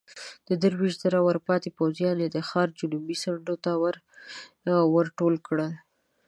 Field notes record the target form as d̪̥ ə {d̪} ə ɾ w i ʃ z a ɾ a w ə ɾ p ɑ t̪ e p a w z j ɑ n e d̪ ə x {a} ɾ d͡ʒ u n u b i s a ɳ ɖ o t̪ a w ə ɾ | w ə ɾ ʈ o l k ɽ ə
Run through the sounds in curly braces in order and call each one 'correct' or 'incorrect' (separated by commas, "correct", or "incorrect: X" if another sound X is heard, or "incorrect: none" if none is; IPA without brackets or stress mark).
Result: correct, incorrect: ɑ